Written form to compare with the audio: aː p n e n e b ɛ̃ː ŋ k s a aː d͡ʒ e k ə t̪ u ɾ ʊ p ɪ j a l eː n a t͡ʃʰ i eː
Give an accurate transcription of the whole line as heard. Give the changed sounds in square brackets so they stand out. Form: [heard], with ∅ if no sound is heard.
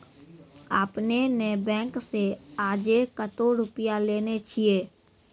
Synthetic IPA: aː p n e n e b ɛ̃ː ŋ k s [e] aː d͡ʒ e k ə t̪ [o] ɾ ʊ p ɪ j a l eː n [e] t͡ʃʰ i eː